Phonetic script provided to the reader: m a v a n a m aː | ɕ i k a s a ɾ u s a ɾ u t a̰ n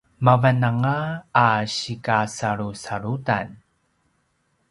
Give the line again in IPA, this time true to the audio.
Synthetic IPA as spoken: m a v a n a ŋ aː | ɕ i k a s a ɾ u s a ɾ u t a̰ n